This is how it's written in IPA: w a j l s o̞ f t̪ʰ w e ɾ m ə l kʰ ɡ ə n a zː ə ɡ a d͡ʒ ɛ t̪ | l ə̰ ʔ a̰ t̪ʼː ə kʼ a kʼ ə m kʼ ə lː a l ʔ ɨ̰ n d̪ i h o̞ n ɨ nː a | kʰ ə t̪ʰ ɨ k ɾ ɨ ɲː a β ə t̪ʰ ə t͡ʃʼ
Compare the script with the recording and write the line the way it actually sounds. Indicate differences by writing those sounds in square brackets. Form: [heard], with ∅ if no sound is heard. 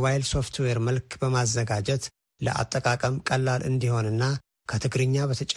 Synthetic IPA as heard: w a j l s o̞ f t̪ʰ w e ɾ m ə l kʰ [b] ə [m] a zː ə ɡ a d͡ʒ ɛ t̪ | l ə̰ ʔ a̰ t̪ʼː ə kʼ a kʼ ə m kʼ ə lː a l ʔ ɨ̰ n d̪ i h o̞ n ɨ nː a | kʰ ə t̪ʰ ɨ [ɡ] ɾ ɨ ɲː a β ə t̪ʰ ə t͡ʃʼ